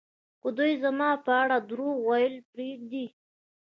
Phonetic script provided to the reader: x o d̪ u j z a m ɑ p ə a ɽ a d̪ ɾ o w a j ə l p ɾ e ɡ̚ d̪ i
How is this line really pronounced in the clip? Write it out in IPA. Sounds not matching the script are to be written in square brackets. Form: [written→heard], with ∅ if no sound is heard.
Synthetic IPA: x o d̪ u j z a m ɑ p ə a ɽ a d̪ ɾ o w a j ə l p ɾ e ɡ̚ d̪ i